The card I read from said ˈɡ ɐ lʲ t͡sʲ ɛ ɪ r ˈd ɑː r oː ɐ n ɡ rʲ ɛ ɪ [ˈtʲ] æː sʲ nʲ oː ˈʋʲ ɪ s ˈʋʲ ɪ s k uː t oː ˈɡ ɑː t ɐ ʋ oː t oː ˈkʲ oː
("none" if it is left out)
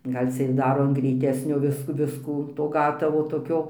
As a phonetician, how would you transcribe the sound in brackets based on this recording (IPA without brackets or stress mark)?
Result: tʲ